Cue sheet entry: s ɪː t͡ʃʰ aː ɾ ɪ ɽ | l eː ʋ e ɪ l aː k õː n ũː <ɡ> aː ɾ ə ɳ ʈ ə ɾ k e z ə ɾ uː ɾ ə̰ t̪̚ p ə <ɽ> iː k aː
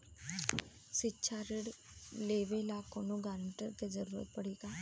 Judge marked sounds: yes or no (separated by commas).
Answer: yes, yes